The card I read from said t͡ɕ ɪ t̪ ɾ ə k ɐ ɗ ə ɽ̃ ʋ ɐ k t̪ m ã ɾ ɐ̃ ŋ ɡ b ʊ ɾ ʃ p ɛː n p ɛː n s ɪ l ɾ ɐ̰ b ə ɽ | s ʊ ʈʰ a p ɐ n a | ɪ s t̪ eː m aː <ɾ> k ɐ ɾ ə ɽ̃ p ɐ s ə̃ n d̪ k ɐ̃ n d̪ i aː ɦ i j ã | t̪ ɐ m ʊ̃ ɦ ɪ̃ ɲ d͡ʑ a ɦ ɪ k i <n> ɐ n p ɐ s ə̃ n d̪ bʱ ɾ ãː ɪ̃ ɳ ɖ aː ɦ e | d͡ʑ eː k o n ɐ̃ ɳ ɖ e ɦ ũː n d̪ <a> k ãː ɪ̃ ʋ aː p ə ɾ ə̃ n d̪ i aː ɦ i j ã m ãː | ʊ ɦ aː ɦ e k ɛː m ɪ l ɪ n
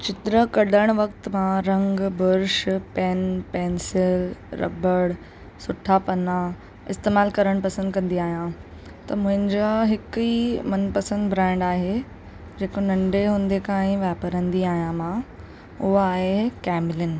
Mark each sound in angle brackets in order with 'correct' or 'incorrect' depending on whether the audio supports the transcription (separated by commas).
incorrect, incorrect, incorrect